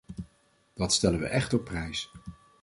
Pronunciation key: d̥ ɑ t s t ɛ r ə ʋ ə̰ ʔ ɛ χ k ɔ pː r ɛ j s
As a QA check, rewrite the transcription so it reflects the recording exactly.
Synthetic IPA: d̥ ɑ t s t ɛ l ə ʋ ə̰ ʔ ɛ χ t ɔ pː r ɛ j s